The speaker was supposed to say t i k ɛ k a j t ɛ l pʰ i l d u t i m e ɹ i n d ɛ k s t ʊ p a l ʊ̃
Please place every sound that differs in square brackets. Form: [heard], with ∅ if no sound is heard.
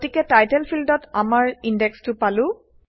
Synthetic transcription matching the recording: t i k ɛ [t] a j t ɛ l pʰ i l d [ɔ] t [a] m [a] ɹ i n d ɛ k s t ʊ p a l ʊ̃